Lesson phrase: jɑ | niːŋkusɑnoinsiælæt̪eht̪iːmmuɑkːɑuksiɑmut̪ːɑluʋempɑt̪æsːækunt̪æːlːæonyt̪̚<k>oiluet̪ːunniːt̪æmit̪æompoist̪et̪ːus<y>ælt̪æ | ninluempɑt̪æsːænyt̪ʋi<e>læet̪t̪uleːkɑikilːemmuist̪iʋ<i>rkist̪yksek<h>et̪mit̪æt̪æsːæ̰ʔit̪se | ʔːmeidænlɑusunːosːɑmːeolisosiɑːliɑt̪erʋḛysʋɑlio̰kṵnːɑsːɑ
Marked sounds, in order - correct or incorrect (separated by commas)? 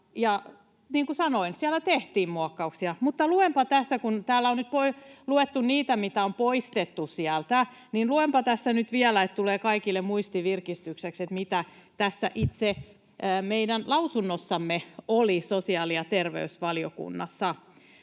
incorrect, incorrect, incorrect, correct, incorrect